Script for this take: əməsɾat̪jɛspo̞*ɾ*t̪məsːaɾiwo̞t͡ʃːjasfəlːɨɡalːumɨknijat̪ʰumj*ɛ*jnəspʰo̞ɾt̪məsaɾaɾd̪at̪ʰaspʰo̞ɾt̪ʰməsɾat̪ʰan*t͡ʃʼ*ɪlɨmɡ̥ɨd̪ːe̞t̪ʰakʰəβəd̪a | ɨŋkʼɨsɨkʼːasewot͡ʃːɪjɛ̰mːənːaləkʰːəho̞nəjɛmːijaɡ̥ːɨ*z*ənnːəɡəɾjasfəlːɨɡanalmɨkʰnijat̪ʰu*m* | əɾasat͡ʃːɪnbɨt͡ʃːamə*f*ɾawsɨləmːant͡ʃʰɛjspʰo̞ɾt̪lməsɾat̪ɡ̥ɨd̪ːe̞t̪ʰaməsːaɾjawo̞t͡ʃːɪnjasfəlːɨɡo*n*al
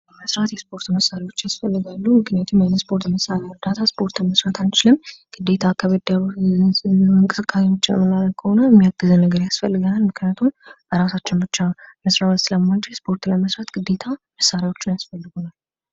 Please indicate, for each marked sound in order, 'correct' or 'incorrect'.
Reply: correct, incorrect, incorrect, correct, correct, incorrect, correct

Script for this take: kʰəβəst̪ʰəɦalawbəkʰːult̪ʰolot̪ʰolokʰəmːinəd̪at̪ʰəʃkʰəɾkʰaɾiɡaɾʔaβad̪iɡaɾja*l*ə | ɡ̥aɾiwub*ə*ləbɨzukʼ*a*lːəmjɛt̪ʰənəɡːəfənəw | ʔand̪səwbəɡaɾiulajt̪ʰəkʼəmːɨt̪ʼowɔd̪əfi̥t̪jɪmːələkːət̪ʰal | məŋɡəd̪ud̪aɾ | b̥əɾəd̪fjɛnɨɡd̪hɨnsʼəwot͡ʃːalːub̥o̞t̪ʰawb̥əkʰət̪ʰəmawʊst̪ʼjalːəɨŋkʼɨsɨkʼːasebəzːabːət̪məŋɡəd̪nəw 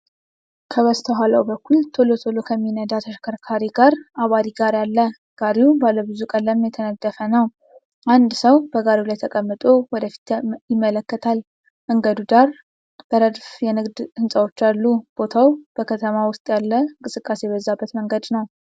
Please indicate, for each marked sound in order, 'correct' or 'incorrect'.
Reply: incorrect, incorrect, incorrect

